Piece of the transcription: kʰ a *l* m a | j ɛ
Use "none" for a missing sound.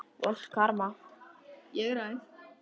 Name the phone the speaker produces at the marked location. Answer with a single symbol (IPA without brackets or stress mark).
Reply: ɾ